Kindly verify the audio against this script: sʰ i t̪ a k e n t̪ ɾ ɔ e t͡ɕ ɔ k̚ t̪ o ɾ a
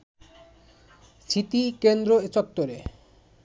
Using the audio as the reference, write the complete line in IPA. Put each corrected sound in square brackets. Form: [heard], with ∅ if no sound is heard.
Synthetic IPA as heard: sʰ i t̪ [i] k e n [d̪] ɾ [o] e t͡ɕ ɔ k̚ t̪ o ɾ [e]